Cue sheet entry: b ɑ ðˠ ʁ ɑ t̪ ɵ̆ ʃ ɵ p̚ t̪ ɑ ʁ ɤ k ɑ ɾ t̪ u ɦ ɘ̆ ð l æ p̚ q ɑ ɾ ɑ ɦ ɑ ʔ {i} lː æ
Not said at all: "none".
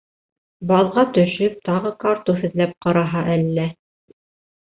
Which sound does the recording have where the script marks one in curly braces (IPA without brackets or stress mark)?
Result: æ